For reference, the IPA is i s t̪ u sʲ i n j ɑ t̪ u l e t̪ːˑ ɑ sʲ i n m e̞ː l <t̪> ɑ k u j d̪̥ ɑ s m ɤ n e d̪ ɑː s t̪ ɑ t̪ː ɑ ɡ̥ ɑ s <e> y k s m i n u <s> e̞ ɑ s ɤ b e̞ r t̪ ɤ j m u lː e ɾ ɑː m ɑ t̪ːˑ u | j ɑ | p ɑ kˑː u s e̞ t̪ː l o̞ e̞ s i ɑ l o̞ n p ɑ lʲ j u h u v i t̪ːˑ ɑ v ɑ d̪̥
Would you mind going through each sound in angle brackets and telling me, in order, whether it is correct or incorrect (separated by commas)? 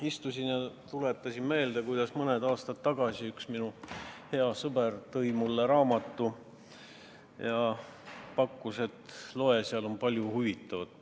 incorrect, incorrect, incorrect